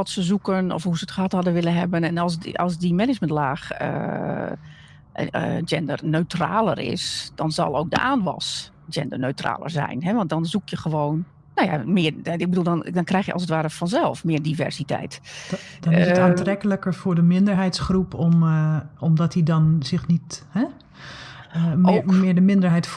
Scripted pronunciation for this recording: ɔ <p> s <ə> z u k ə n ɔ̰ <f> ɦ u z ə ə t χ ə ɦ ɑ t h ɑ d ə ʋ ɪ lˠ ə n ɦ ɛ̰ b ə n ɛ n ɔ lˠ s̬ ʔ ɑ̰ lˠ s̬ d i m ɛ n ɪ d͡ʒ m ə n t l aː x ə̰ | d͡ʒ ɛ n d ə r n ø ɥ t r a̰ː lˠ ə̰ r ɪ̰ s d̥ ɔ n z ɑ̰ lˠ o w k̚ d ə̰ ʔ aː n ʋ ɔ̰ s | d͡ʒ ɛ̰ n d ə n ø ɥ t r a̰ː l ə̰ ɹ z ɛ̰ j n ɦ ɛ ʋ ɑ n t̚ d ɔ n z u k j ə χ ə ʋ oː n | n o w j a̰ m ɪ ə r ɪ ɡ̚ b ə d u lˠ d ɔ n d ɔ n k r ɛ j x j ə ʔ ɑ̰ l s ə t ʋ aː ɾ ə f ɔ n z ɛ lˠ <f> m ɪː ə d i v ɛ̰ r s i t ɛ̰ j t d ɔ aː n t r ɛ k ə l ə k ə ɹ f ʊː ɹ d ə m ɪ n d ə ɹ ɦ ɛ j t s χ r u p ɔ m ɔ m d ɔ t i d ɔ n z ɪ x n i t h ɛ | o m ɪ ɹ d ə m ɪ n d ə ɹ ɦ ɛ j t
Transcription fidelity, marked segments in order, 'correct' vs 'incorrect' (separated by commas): incorrect, correct, correct, correct